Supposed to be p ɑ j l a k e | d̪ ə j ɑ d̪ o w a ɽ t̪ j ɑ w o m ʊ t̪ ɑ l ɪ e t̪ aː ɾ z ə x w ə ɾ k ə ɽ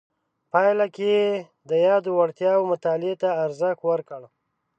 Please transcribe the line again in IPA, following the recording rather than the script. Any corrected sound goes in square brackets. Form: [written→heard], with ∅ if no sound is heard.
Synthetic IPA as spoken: p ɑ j l a k e | d̪ ə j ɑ d̪ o w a ɽ t̪ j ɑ w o m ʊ t̪ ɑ l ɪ e t̪ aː ɾ z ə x w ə ɾ k ə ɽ